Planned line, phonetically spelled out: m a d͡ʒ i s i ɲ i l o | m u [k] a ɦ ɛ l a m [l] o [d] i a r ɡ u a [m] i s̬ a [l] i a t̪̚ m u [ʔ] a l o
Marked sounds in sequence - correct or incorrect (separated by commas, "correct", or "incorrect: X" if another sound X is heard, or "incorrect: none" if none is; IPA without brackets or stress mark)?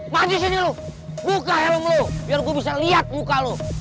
correct, correct, incorrect: b, incorrect: b, correct, incorrect: k